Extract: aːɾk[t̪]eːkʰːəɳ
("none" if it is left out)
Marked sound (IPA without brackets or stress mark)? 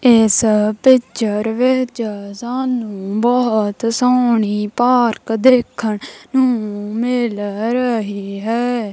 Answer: d̪